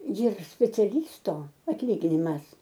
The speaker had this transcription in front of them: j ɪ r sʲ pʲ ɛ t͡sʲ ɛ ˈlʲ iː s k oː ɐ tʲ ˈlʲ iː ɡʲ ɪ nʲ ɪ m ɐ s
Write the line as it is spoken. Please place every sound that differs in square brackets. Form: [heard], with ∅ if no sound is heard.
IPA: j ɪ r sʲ pʲ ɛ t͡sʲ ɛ ˈlʲ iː s [t] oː ɐ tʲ ˈlʲ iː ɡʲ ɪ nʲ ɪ m ɐ s